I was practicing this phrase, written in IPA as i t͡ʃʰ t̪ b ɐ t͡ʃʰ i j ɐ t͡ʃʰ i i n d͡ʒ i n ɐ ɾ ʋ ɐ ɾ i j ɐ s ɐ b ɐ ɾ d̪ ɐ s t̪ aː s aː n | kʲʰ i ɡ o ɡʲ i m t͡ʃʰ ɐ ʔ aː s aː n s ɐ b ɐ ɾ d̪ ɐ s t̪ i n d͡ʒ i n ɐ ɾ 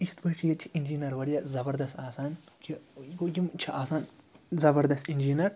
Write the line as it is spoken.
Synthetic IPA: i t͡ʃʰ t̪ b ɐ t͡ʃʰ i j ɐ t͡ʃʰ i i n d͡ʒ i n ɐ ɾ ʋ ɐ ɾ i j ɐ z ɐ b ɐ ɾ d̪ ɐ s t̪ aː s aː n | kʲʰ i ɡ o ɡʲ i m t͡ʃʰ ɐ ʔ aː s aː n z ɐ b ɐ ɾ d̪ ɐ s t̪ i n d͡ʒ i n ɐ ɾ